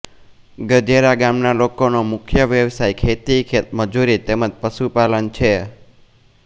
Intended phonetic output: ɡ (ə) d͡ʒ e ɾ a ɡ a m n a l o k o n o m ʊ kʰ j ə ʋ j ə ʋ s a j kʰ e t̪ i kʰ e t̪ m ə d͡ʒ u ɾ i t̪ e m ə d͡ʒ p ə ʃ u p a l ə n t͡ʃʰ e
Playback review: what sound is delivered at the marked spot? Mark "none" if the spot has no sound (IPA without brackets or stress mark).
ə